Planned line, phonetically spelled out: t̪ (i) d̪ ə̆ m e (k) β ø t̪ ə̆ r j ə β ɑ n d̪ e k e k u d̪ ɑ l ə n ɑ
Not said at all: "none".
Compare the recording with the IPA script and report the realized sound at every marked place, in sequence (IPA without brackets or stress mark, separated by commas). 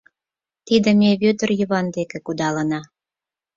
i, none